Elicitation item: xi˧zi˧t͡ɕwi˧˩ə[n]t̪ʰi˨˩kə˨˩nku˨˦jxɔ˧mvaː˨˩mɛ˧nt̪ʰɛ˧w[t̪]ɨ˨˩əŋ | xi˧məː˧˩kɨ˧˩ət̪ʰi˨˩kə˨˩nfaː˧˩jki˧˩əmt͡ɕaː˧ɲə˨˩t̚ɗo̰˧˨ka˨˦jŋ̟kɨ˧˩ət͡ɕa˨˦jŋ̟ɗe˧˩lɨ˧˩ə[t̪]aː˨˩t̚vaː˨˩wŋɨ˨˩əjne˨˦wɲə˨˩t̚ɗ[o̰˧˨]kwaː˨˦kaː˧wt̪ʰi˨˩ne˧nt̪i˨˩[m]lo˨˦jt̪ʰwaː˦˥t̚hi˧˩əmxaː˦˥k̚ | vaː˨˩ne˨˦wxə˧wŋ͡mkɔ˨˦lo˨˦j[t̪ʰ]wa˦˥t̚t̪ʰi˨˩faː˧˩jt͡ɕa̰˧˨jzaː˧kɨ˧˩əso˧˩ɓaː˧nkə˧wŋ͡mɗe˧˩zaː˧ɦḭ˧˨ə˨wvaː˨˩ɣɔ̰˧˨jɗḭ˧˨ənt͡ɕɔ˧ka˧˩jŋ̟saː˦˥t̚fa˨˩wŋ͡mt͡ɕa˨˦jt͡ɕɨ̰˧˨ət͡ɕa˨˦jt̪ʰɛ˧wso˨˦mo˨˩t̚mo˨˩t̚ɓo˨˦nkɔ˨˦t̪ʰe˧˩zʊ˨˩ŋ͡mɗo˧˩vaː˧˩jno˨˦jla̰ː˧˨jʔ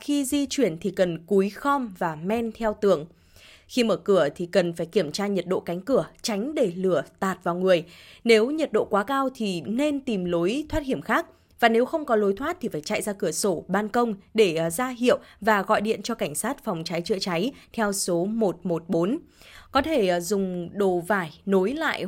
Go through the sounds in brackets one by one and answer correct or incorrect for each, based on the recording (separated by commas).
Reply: correct, correct, correct, correct, correct, correct